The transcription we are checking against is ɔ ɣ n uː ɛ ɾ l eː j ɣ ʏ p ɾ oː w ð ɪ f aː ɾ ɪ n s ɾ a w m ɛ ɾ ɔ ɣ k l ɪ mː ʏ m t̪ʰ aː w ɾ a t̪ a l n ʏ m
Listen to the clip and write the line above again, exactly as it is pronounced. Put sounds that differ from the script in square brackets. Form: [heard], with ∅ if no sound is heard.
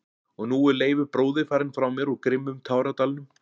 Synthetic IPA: ɔ ɣ n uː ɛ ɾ l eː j [v] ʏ p ɾ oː w ð ɪ f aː ɾ ɪ n [f] ɾ a w m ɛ ɾ ɔ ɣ k [ɾ] ɪ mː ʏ m t̪ʰ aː w ɾ a t̪ a l n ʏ m

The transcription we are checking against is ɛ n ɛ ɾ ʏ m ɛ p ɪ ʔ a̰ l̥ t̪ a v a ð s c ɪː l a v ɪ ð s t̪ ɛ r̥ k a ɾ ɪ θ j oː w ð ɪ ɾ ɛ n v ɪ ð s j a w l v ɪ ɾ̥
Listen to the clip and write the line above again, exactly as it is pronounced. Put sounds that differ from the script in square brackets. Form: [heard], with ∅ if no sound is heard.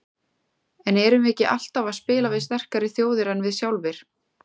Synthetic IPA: ɛ n ɛ ɾ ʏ m ɛ [c] ɪ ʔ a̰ l̥ t̪ a v a ð s [p] ɪː l a v ɪ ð s t̪ ɛ r̥ k a ɾ ɪ θ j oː w ð ɪ ɾ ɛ n v ɪ ð s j a w l v ɪ ɾ̥

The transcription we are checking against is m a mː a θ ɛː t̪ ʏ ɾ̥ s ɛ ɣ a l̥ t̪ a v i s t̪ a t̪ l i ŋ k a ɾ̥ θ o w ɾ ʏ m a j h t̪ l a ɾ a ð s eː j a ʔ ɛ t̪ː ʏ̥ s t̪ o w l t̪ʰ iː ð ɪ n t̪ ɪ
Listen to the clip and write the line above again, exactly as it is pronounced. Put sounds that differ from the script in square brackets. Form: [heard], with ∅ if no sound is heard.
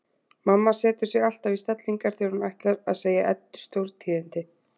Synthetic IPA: m a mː a [s] ɛː t̪ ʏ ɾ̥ s ɛ ɣ a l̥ t̪ a v i s t̪ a t̪ l i ŋ k a ɾ̥ θ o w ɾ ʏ m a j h t̪ l a ɾ a ð s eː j a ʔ ɛ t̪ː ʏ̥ s t̪ o w [ɾ] t̪ʰ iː ð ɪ n t̪ ɪ

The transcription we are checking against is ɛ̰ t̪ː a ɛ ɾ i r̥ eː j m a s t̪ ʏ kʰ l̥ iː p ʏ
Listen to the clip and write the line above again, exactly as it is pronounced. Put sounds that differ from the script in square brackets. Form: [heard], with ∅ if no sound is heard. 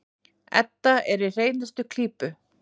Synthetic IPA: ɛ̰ t̪ː a ɛ ɾ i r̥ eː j [n] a s t̪ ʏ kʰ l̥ iː p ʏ

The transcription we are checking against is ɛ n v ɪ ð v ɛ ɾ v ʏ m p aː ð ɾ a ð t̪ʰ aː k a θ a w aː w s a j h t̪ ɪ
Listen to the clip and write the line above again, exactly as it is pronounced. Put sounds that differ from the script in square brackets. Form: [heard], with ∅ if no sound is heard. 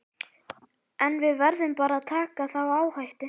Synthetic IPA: ɛ n v ɪ ð v ɛ ɾ [ð] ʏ m p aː [∅] ɾ a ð t̪ʰ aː k a θ a w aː w [h] a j h t̪ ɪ

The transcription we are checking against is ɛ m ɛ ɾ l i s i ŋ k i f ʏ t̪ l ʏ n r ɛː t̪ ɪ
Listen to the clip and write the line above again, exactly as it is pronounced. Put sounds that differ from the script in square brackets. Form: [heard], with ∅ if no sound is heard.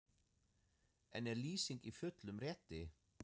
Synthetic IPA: ɛ [n] ɛ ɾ l [iː] s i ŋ k i f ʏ t̪ l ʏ [m] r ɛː t̪ ɪ

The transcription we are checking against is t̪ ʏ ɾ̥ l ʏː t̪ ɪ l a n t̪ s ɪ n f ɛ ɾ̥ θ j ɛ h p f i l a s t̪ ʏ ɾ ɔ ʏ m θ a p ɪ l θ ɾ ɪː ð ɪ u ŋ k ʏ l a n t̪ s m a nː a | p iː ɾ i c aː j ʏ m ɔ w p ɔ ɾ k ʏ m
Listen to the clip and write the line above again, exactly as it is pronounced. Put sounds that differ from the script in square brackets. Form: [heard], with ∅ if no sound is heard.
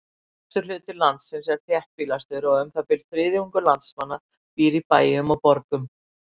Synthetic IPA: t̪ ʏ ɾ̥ l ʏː t̪ ɪ l a n t̪ s ɪ n [s] ɛ ɾ̥ θ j ɛ h p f i l a s t̪ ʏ ɾ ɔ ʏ m θ a p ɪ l θ ɾ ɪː ð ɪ u ŋ k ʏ l a n t̪ s m a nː a | p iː ɾ i [p] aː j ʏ m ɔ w p ɔ ɾ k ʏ m

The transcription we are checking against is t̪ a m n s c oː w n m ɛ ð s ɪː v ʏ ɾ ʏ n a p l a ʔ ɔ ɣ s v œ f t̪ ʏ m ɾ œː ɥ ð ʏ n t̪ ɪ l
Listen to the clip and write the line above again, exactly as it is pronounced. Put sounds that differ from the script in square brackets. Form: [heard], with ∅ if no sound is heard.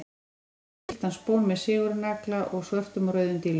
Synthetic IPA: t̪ a [∅] n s [p] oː w n m ɛ ð s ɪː [ɣ] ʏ ɾ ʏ n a [k] l a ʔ ɔ ɣ s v œ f t̪ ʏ m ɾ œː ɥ ð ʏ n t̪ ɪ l

